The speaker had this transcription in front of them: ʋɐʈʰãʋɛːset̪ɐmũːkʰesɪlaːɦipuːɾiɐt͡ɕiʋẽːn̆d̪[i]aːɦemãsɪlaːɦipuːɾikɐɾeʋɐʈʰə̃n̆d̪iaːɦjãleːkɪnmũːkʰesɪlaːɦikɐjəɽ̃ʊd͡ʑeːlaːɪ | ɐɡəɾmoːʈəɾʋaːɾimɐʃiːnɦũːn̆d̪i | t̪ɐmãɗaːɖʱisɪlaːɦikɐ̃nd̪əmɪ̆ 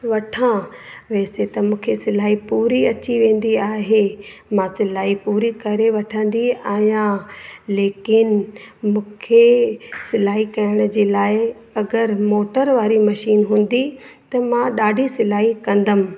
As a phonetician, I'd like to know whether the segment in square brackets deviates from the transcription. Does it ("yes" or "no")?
no